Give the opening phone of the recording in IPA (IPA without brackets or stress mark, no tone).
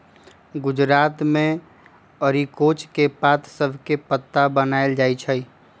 ɡ